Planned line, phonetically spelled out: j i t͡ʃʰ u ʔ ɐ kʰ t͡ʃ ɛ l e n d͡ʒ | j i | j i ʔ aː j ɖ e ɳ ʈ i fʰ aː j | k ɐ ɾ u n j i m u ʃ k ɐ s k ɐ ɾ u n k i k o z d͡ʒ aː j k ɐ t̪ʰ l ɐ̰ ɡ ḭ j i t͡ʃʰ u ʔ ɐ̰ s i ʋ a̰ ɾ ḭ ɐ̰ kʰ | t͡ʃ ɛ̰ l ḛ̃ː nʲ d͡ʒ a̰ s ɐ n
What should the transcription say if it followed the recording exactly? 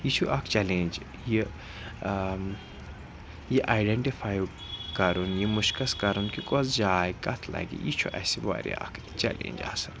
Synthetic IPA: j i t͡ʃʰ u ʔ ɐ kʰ t͡ʃ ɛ l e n d͡ʒ | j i | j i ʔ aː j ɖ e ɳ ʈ i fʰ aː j | k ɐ ɾ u n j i m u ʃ k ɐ s k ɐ ɾ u n k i k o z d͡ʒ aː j k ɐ t̪ʰ l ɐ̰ ɡ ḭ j i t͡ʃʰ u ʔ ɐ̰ s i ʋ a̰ ɾ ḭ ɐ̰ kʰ | t͡ʃ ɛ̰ l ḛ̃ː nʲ d͡ʒ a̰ s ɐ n

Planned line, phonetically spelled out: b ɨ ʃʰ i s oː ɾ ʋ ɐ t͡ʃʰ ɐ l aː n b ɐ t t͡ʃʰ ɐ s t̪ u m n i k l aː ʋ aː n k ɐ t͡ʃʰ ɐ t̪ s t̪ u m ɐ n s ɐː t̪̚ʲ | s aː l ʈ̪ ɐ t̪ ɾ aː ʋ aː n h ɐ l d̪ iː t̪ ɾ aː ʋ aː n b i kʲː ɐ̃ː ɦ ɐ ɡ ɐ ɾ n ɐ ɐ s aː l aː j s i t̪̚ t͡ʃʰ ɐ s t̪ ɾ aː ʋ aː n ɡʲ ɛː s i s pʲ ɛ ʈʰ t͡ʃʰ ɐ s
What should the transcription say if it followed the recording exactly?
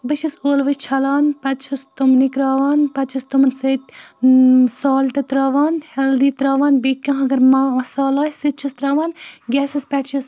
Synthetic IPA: b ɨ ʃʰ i s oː l ʋ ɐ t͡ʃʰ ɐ l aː n p ɐ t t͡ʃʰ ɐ s t̪ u m n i k ɾ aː ʋ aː n p ɐ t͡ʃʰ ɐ s t̪ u m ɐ n s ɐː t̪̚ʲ | s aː l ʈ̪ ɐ t̪ ɾ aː ʋ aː n h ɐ l d̪ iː t̪ ɾ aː ʋ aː n b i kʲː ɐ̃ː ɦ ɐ ɡ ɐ ɾ m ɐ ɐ s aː l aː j s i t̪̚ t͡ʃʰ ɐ s t̪ ɾ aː ʋ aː n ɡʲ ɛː s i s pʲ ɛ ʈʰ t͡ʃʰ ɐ s

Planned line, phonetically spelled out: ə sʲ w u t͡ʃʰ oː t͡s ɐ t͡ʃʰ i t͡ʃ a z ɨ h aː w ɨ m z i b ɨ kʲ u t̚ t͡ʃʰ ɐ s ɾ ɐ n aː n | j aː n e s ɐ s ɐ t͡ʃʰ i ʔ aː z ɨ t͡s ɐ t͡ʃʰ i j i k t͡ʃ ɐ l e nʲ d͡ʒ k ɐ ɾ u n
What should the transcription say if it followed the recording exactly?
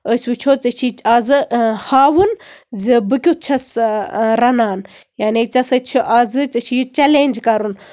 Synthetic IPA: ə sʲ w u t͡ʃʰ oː t͡s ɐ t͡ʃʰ i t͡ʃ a z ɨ h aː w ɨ n z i b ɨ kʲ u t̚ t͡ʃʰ ɐ s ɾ ɐ n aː n | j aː n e t͡s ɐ s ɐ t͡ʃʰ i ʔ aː z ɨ t͡s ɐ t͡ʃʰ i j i t͡ʃ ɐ l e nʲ d͡ʒ k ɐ ɾ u n

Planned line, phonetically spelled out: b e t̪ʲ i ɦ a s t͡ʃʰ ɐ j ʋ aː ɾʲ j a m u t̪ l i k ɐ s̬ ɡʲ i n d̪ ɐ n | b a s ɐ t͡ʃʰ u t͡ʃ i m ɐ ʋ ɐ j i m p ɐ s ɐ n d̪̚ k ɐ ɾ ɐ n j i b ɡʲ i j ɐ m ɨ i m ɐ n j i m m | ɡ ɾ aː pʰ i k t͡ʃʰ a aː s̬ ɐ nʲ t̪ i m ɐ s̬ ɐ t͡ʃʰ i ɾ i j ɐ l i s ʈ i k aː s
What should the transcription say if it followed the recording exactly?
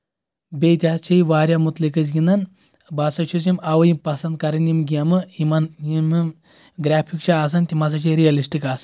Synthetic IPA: b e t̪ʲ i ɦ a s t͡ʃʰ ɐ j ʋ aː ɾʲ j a m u t̪ l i k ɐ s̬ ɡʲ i n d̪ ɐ n | b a s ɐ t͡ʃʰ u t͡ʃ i m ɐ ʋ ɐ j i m p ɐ s ɐ n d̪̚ k ɐ ɾ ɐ n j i m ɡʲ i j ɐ m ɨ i m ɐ n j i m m | ɡ ɾ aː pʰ i k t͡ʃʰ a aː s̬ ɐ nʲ t̪ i m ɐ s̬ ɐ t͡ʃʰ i ɾ i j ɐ l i s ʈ i k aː s

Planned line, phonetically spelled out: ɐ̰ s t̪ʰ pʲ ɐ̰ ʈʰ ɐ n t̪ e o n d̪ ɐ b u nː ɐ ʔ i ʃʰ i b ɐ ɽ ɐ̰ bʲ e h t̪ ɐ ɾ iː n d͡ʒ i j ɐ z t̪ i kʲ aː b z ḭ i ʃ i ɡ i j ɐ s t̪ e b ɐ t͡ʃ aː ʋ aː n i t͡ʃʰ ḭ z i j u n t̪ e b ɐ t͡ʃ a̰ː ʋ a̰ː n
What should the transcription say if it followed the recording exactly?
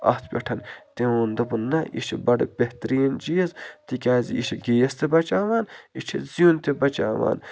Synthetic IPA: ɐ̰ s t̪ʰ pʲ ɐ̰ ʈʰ ɐ n t̪ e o n d̪ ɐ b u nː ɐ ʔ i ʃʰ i b ɐ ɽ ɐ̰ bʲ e h t̪ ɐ ɾ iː n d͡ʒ i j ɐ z t̪ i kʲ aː z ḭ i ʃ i ɡ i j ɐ s t̪ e b ɐ t͡ʃ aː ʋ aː n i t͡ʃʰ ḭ z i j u n t̪ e b ɐ t͡ʃ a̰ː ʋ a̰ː n

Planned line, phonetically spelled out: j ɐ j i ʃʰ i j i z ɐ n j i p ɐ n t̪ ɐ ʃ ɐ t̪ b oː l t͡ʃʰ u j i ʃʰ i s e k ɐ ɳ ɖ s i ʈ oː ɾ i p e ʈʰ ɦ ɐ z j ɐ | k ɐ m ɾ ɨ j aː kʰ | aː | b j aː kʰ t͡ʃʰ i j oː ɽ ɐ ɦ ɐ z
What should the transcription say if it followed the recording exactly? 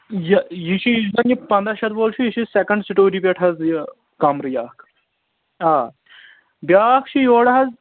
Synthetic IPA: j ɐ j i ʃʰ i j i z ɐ n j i p ɐ n d̪ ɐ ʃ ɐ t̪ b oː l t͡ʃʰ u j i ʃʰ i s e k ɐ ɳ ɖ s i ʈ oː ɾ i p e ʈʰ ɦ ɐ z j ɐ | k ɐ m ɾ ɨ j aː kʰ | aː | b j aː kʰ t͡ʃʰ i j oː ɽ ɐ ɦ ɐ z

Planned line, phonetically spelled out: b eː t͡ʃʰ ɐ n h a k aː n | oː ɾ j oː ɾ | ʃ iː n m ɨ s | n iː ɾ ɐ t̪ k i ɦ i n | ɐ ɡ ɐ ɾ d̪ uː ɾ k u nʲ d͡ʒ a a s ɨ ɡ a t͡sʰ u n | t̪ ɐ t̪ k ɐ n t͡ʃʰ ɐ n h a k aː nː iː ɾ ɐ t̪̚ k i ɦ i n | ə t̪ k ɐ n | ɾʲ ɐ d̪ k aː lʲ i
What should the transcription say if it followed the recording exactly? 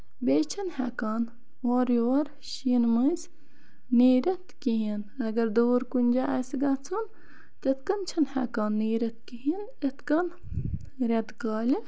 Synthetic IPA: b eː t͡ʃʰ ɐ n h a k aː n | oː ɾ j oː ɾ | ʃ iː n m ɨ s | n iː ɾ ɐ t̪ k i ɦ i n | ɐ ɡ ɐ ɾ d̪ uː ɾ k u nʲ d͡ʒ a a s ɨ ɡ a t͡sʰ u n | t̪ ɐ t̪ k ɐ n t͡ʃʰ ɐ n h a k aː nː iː ɾ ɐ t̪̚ k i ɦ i n | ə t̪ k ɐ n | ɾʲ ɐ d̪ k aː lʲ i

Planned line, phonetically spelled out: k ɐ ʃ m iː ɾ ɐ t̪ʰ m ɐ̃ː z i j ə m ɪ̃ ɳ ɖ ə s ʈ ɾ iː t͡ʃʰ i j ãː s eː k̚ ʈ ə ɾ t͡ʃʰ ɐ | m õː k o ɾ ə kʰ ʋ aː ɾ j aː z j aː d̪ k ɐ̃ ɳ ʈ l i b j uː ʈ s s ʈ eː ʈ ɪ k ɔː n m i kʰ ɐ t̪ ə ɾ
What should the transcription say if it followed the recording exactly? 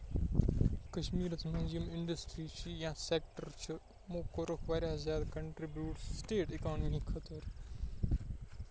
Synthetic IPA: k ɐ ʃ m iː ɾ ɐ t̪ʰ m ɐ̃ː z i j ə m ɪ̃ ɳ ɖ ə s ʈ ɾ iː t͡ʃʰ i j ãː s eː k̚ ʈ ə ɾ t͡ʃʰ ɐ | m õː k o ɾ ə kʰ ʋ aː ɾ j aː z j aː d̪ k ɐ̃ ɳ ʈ ɾ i b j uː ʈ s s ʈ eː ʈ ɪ k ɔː n m i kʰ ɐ t̪ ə ɾ

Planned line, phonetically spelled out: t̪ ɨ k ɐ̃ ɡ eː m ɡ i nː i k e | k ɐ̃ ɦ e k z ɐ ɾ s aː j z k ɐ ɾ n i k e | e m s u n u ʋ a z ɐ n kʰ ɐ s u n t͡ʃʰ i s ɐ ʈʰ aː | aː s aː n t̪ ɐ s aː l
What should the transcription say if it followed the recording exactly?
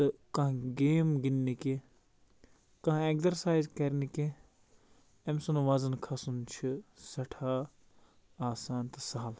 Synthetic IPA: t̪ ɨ k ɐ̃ ɡ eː m ɡ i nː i k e | k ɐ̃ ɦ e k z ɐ ɾ s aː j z k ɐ ɾ n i k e | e m s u n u ʋ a z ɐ n kʰ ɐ s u n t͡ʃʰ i s ɐ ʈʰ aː | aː s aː n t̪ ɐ s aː l

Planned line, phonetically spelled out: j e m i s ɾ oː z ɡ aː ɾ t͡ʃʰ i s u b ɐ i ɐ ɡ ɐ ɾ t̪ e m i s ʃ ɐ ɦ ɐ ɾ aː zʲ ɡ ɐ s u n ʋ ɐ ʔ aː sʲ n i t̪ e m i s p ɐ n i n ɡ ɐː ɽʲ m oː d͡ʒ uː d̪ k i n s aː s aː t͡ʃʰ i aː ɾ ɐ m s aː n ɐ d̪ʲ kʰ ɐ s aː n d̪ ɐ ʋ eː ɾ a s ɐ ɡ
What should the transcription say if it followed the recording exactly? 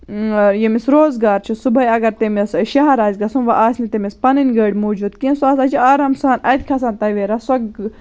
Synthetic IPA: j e m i s ɾ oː z ɡ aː ɾ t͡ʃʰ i s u b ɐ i ɐ ɡ ɐ ɾ t̪ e m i s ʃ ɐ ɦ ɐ ɾ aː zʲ ɡ ɐ s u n ʋ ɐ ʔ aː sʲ n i t̪ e m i s p ɐ n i n ɡ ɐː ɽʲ m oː d͡ʒ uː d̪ k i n s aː s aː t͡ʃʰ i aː ɾ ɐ m s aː n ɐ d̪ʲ kʰ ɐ s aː n t̪ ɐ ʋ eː ɾ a s ɐ ɡ

